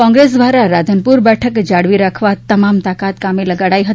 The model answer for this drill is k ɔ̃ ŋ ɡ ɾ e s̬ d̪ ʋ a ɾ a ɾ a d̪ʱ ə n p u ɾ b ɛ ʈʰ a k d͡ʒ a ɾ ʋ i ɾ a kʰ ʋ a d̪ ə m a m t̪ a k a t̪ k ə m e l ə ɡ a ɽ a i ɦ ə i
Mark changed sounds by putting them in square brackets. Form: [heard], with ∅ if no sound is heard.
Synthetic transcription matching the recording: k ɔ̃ ŋ ɡ ɾ e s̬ d̪ ʋ a ɾ a ɾ a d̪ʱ ə n p u ɾ b ɛ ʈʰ [ə] k d͡ʒ a [ɽ] ʋ i ɾ a kʰ ʋ a [t̪] ə m a m t̪ a k a t̪ k [a] m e l ə ɡ a ɽ a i ɦ ə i